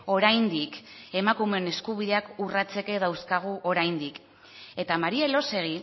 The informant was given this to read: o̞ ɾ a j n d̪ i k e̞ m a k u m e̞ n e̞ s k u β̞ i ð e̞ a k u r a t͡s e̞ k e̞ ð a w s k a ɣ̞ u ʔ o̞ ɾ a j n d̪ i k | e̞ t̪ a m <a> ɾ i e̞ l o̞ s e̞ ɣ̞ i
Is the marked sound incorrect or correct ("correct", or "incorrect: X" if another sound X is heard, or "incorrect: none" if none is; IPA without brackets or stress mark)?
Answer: correct